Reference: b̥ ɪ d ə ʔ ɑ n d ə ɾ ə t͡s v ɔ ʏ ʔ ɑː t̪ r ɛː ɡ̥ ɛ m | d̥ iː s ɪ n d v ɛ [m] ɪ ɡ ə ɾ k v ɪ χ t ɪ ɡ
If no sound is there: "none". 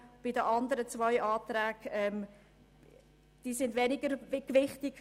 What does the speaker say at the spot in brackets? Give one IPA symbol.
n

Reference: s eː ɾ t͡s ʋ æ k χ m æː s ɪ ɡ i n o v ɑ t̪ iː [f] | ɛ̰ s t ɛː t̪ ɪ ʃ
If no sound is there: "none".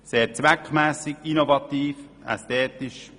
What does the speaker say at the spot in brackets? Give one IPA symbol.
f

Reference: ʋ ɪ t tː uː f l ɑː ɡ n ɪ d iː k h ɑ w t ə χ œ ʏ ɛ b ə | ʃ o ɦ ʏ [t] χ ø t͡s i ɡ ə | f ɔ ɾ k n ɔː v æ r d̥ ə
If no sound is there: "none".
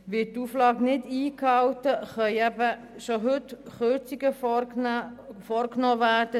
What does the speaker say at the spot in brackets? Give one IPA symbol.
t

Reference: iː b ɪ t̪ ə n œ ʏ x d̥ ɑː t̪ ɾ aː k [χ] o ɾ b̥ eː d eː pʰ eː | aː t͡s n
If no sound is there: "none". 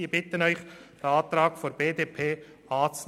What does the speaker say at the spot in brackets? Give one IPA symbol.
f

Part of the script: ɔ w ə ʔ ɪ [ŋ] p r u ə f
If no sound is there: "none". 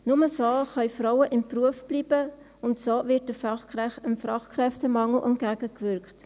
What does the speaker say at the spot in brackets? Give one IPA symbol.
m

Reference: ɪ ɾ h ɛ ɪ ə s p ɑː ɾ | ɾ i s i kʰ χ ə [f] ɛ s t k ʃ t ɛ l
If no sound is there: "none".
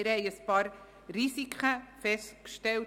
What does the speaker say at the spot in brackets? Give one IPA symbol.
f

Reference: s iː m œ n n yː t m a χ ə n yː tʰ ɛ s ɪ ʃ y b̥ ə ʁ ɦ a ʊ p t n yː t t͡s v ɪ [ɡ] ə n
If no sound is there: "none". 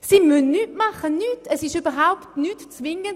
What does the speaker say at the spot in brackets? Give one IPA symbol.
ŋ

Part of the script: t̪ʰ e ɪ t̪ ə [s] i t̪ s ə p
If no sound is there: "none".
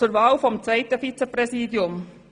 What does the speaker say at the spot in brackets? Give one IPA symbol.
f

